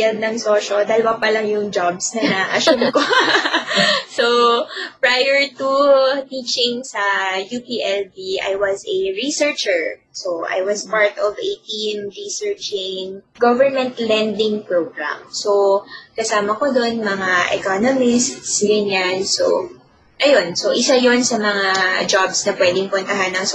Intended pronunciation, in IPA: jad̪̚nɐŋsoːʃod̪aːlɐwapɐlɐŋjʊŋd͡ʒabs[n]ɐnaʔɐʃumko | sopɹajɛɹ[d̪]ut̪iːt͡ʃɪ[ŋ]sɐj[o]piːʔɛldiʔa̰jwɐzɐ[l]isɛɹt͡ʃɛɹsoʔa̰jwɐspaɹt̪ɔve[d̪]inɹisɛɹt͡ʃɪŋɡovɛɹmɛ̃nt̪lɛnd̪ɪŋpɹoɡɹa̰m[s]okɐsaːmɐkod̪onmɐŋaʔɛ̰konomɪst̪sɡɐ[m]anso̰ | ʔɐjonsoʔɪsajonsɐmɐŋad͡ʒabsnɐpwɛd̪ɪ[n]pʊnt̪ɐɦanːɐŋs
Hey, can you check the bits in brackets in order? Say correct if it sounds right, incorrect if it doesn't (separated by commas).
correct, incorrect, correct, incorrect, incorrect, incorrect, correct, incorrect, incorrect